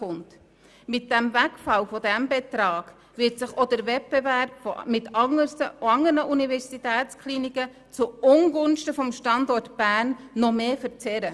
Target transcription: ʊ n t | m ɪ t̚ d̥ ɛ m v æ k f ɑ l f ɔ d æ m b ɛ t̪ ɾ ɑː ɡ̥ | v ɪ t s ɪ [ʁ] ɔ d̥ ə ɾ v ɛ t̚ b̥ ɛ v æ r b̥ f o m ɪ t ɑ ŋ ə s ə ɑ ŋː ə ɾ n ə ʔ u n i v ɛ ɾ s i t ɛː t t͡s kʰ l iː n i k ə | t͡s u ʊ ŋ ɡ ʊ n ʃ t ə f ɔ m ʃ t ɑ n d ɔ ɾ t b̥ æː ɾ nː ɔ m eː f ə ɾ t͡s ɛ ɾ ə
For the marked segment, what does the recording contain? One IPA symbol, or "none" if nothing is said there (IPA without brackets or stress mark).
χ